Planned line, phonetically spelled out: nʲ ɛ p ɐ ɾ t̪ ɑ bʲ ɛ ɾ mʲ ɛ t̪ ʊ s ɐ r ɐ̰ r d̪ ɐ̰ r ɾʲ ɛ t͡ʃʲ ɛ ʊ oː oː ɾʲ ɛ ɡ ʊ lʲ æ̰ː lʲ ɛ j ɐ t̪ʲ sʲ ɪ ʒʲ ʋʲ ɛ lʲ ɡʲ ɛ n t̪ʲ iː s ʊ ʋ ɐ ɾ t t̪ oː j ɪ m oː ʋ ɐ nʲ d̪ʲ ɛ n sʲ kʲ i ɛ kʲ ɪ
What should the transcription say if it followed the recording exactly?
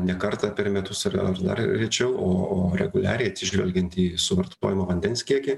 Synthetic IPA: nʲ ɛ k ɐ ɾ t̪ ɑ pʲ ɛ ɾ mʲ ɛ t̪ ʊ s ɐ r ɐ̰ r d̪ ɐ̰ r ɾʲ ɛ t͡ʃʲ ɛ ʊ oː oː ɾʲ ɛ ɡ ʊ lʲ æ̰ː ɾʲ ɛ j ɐ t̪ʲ sʲ ɪ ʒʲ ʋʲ ɛ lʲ ɡʲ ɛ n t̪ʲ iː s ʊ ʋ ɐ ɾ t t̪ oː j ɪ m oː ʋ ɐ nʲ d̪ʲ ɛ n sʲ kʲ i ɛ kʲ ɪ